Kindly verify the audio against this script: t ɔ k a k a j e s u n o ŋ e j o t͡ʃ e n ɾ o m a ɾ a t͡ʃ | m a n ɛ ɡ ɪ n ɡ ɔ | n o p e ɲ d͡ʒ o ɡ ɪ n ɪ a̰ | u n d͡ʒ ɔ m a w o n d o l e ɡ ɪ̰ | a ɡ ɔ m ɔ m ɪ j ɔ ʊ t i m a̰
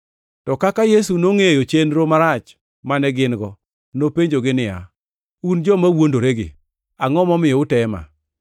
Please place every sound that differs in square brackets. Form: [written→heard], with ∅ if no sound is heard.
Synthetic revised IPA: t ɔ k a k a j e s u n o ŋ e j o t͡ʃ e n ɾ o m a ɾ a t͡ʃ | m a n ɛ ɡ ɪ n ɡ ɔ | n o p e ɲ d͡ʒ o ɡ ɪ n ɪ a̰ | u n d͡ʒ ɔ m a w o n d o [l→ɾ] e ɡ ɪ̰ | a [ɡ→ŋ] ɔ m ɔ m ɪ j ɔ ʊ t [i→ɛ] m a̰